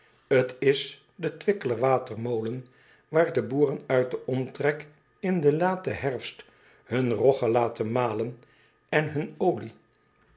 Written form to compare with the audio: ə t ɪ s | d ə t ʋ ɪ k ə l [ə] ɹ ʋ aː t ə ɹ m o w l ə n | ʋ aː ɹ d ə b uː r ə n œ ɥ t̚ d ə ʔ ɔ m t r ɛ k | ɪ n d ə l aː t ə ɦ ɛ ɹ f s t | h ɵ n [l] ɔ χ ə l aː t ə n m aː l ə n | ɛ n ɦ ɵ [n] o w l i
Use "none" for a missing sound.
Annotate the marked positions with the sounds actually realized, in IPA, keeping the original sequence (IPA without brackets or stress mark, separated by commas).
ə, r, n